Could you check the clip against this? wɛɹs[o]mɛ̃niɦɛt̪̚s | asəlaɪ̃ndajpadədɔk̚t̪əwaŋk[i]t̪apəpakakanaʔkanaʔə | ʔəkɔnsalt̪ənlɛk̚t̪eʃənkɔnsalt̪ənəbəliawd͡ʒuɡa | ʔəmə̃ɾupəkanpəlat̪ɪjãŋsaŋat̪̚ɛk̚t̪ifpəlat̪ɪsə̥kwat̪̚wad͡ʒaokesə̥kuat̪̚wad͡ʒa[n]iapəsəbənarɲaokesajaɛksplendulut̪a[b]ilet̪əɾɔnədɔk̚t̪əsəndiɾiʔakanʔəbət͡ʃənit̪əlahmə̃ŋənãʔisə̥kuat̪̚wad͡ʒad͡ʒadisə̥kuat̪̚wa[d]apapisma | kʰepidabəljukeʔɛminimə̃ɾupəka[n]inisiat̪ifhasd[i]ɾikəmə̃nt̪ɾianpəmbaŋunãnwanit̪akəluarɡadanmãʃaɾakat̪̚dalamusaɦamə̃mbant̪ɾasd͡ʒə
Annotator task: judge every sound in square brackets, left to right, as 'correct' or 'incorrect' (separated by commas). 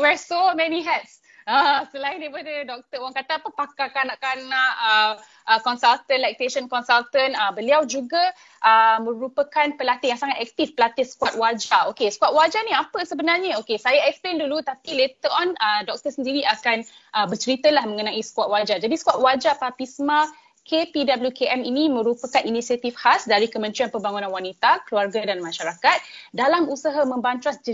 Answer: correct, incorrect, correct, incorrect, incorrect, correct, incorrect